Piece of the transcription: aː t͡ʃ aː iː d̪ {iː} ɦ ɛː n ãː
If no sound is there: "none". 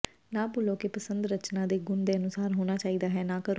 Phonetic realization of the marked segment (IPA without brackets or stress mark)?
aː